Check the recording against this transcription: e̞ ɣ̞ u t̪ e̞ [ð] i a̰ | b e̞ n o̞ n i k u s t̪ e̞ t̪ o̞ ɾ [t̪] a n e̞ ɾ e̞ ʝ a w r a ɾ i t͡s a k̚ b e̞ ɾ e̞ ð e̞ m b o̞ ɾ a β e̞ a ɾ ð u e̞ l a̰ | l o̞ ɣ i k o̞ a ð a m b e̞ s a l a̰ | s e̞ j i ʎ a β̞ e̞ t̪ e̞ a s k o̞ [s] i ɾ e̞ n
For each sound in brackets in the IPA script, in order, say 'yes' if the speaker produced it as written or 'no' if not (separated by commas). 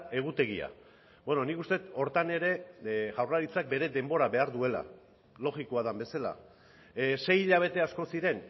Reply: no, yes, yes